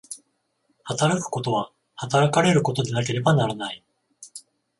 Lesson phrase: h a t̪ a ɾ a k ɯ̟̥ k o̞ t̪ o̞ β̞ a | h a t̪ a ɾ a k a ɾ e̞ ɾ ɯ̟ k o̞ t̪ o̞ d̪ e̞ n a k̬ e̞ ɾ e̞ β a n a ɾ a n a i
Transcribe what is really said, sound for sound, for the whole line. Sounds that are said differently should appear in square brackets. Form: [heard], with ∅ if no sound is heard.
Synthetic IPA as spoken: h a t̪ a ɾ a k ɯ̟̥ k o̞ t̪ o̞ β̞ a | h a t̪ a ɾ a k a ɾ e̞ ɾ ɯ̟ k o̞ t̪ o̞ d̪ e̞ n a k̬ e̞ ɾ e̞ [b] a n a ɾ a n a i

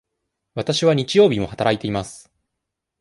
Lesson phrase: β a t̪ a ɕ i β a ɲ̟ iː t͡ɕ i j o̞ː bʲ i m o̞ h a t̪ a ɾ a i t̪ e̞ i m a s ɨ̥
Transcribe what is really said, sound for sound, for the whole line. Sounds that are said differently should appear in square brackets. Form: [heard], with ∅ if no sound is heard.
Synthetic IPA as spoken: β a t̪ a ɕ i β a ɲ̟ [i] t͡ɕ i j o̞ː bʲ i m o̞ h a t̪ a ɾ a i t̪ e̞ i m a s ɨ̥

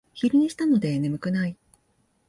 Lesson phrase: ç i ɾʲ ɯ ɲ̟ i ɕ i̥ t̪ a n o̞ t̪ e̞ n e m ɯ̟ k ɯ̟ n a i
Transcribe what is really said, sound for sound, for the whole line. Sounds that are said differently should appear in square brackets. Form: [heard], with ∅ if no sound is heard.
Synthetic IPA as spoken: ç i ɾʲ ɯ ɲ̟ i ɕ i̥ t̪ a n o̞ [d̪] e̞ n e m ɯ̟ k ɯ̟ n a i

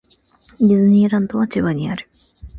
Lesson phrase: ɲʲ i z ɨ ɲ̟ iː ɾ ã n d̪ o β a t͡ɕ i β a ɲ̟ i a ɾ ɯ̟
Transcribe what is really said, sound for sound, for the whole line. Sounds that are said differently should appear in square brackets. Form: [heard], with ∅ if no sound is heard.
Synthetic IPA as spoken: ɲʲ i z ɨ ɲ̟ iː ɾ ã n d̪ o β a t͡ɕ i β a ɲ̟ i a ɾ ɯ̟

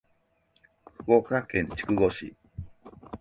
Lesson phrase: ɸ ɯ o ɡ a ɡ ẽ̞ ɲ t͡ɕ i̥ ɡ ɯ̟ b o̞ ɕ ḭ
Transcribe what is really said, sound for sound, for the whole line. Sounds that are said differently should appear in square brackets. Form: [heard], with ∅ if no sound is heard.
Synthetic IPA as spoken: ɸ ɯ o [k] a [k] ẽ̞ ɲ t͡ɕ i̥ [k] ɯ̟ [ɡ] o̞ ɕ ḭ

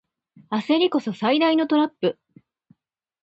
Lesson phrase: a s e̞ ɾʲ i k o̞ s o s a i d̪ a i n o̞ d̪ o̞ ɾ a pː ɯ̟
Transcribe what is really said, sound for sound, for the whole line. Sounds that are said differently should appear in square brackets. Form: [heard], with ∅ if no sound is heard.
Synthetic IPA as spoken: a s e̞ ɾʲ i k o̞ s o s a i d̪ a i n o̞ [t̪] o̞ ɾ a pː ɯ̟

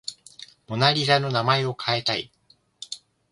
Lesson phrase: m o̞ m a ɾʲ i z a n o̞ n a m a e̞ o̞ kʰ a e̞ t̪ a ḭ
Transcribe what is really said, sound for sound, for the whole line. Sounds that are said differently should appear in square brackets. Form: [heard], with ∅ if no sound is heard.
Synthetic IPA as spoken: m o̞ [n] a ɾʲ i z a n o̞ n a m a e̞ o̞ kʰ a e̞ t̪ a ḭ

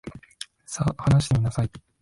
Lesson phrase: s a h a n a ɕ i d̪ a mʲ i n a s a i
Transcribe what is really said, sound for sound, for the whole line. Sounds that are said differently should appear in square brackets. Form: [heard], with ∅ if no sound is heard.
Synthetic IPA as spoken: s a h a n a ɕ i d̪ [e] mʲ i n a s a i

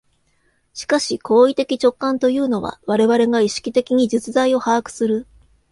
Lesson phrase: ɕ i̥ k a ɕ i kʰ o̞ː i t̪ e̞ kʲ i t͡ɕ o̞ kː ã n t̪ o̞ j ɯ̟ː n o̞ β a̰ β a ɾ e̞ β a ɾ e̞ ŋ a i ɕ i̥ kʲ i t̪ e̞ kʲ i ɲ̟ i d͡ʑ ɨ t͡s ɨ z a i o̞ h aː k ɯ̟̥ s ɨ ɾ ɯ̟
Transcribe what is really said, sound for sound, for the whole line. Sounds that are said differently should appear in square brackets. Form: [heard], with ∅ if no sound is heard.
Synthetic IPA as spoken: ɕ i̥ k a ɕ i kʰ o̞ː i t̪ e̞ kʲ i t͡ɕ o̞ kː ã n t̪ o̞ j ɯ̟ː n o̞ β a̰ β a ɾ e̞ β a ɾ e̞ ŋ a i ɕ i̥ kʲ i t̪ e̞ kʲ i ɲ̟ i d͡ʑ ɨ t͡s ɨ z a i o̞ h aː k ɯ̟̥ s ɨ ɾ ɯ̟

